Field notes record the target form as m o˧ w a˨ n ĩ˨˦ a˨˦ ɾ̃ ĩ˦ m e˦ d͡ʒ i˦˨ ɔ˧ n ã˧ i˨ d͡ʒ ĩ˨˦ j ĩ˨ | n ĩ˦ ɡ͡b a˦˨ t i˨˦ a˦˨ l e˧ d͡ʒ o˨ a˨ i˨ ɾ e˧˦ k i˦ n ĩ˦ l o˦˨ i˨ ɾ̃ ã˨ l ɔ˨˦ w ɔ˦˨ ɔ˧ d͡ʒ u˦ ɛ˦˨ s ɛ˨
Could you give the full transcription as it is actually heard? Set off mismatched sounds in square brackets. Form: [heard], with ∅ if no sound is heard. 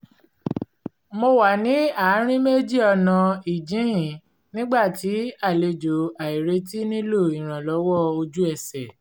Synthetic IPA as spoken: m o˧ w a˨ n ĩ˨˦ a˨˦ ɾ̃ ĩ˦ m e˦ d͡ʒ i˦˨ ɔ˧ n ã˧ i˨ d͡ʒ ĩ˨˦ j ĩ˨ | n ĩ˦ ɡ͡b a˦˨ t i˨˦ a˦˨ l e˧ d͡ʒ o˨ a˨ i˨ ɾ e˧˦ [t] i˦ n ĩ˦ l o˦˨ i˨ ɾ̃ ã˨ l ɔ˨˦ w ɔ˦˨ [o˧] d͡ʒ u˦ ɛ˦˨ s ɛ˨